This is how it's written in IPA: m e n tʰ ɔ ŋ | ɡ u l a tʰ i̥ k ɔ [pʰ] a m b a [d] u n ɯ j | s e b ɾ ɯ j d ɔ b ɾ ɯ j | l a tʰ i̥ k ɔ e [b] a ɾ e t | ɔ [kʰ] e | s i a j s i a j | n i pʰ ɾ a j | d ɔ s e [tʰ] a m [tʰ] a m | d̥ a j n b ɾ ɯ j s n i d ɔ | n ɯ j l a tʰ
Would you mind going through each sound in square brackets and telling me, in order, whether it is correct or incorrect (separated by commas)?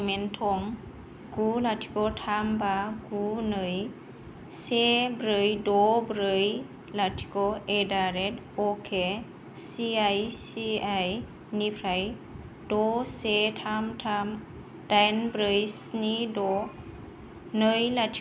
incorrect, incorrect, incorrect, correct, correct, correct